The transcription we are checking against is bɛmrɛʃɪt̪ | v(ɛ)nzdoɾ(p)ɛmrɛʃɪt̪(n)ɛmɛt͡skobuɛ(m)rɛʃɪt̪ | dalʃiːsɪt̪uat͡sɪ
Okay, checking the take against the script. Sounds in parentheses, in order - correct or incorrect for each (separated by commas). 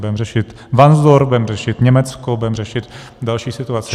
incorrect, incorrect, incorrect, correct